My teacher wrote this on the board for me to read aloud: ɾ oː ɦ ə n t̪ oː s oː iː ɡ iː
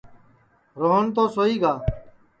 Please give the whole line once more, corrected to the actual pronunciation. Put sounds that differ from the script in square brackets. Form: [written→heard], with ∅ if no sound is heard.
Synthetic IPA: ɾ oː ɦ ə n t̪ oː s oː iː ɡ [iː→aː]